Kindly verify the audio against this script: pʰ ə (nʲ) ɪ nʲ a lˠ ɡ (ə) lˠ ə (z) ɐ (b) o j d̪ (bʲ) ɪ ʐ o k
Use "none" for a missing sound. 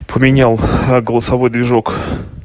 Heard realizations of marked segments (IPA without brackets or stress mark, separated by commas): mʲ, ə, s, v, vʲ